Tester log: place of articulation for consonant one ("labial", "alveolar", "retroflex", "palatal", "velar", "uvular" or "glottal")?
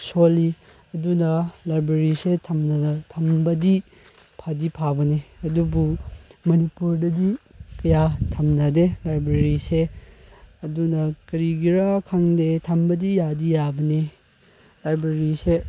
alveolar